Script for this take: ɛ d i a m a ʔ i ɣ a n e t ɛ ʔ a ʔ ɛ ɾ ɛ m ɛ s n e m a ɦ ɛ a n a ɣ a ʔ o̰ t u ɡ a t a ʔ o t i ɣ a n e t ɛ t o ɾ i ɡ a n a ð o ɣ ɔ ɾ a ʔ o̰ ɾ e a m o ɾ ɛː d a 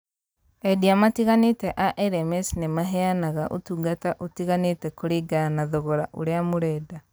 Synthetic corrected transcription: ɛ d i a m a t i ɣ a n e t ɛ ʔ a ʔ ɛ ɾ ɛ m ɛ s n e m a ɦ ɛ a n a ɣ a ʔ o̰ t u ɡ a t a ʔ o t i ɣ a n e t ɛ k o ɾ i ɡ a n a ð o ɣ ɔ ɾ a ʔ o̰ ɾ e a m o ɾ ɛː d a